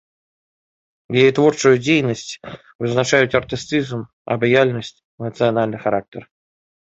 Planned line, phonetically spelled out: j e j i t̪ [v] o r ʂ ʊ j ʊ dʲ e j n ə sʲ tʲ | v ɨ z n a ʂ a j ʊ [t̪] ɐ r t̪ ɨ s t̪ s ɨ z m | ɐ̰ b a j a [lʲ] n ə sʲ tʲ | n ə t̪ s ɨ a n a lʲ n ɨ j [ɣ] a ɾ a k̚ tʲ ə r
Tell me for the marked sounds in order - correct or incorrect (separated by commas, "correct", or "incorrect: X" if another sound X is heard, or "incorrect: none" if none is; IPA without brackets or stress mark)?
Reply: correct, correct, correct, incorrect: x